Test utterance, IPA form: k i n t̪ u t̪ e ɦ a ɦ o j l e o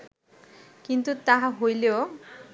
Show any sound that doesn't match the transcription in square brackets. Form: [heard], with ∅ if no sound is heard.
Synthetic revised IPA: k i n t̪ u t̪ [a] ɦ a ɦ o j l e o

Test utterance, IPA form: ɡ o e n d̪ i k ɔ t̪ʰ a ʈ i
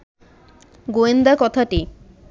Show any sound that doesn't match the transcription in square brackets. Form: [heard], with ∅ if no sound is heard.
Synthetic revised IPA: ɡ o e n d̪ [a] k ɔ t̪ʰ a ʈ i

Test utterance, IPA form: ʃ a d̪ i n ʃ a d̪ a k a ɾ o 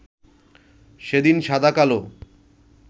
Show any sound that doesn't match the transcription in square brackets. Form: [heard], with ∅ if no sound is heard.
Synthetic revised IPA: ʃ [e] d̪ i n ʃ a d̪ a k a [l] o

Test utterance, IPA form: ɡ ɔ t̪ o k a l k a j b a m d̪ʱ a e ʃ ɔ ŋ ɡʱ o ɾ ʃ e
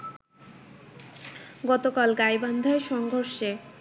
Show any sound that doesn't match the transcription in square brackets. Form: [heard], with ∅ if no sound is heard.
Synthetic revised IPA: ɡ ɔ t̪ o k a l [ɡ] a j b a [n] d̪ʱ a e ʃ ɔ ŋ ɡʱ o ɾ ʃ e

